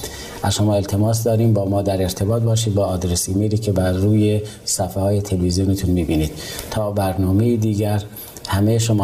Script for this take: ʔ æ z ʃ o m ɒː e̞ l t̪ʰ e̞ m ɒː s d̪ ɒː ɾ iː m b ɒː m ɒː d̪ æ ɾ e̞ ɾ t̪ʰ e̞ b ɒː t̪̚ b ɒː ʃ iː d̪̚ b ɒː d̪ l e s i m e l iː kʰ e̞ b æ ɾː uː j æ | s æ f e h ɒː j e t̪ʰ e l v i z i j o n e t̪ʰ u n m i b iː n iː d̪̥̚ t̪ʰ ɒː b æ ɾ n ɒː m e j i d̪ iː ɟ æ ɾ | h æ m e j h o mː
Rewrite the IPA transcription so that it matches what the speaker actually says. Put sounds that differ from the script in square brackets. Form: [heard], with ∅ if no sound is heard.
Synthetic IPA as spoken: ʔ æ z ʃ o m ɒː e̞ l t̪ʰ e̞ m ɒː s d̪ ɒː ɾ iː m b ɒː m ɒː d̪ æ ɾ e̞ ɾ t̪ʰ e̞ b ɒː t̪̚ b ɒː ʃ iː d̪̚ b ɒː d̪ [ɾ] e s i m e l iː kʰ e̞ b æ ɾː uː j [e] | s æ f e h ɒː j e t̪ʰ e l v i z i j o n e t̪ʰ u n m i b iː n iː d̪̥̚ t̪ʰ ɒː b æ ɾ n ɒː m e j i d̪ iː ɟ æ ɾ | h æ m e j [ʃ] o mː